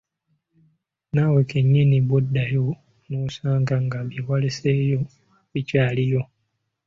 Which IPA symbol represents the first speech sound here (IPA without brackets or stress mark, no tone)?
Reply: n